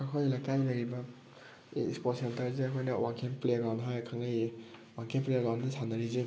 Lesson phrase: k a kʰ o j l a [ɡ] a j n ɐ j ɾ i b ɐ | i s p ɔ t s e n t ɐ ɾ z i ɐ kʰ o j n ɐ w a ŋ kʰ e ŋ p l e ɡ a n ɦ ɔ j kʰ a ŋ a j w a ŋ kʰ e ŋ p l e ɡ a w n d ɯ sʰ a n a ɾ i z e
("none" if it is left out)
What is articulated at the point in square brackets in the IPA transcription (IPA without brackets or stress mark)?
k